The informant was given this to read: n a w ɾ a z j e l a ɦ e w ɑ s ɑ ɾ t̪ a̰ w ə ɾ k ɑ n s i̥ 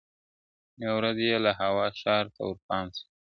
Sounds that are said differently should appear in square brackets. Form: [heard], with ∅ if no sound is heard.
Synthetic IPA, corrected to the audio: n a w ɾ a z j e l a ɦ [a] w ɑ [ʃ] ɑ ɾ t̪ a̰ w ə ɾ [p] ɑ n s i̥